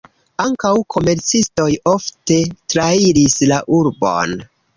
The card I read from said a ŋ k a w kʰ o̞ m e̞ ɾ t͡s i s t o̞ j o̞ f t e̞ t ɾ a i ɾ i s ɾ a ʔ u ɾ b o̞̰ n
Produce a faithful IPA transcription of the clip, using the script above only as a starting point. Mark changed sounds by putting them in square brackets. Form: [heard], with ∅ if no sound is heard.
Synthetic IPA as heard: a ŋ k a w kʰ o̞ m e̞ ɾ t͡s i s t o̞ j o̞ f t e̞ t ɾ a i ɾ i s [l] a ʔ u ɾ b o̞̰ n

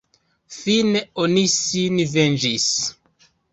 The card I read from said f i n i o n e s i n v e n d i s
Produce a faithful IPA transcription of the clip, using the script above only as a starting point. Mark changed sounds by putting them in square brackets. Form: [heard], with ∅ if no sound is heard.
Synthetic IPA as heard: f i n [e] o n [i] s i n v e n [d͡ʒ] i s

